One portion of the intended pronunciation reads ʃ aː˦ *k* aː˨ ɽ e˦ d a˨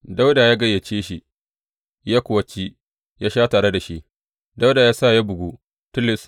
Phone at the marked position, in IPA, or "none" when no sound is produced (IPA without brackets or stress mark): t